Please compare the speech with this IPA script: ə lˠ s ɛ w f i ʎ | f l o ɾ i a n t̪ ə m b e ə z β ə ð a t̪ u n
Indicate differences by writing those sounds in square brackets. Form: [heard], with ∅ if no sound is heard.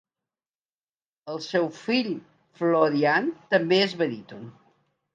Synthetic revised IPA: ə lˠ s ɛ w f i ʎ | f l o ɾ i a n t̪ ə m b e ə z β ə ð [i] t̪ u n